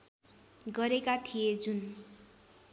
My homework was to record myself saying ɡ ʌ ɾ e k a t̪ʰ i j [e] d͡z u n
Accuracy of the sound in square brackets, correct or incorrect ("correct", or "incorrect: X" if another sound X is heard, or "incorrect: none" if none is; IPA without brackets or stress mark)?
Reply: correct